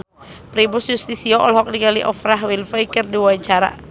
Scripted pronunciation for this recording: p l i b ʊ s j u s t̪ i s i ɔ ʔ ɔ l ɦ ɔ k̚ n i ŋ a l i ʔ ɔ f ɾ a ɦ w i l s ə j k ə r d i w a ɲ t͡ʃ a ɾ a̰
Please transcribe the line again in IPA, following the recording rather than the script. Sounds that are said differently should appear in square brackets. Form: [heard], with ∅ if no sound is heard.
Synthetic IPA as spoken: p [ɾ] i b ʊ s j u s t̪ i s i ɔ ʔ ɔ l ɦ ɔ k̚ n i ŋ a l i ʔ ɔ f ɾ a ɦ w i l [f] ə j k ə r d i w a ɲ t͡ʃ a ɾ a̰